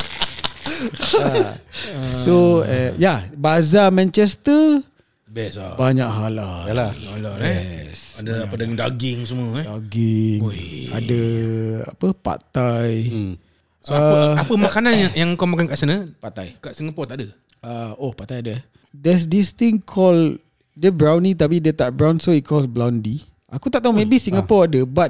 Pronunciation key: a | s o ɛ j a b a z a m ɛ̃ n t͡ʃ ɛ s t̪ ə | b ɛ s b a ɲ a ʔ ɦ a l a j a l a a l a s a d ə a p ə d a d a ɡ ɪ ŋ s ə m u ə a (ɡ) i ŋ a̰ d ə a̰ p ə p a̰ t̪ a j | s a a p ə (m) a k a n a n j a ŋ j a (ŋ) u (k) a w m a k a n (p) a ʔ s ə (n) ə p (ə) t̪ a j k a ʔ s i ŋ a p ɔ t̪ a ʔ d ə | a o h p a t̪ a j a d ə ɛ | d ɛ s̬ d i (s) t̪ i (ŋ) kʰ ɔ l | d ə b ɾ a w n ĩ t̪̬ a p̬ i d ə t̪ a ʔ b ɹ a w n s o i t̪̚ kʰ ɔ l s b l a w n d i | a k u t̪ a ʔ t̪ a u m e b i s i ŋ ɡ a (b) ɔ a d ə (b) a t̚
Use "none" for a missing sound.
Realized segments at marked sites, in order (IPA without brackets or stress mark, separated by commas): ɡ, m, ŋ, k, k, n, a, s, ŋ, p, b